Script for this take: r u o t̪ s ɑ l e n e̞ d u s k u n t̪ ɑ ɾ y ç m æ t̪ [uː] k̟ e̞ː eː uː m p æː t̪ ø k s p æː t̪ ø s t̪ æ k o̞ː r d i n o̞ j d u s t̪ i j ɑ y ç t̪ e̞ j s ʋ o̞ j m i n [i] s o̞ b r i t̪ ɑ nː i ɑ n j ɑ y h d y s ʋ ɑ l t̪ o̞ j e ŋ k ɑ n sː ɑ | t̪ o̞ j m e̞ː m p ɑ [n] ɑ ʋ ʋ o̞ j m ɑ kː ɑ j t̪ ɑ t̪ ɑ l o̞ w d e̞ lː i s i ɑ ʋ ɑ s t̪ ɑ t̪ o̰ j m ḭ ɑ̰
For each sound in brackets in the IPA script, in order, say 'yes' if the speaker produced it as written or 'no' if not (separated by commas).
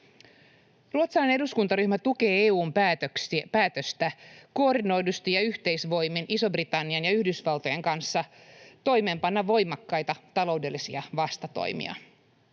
no, yes, no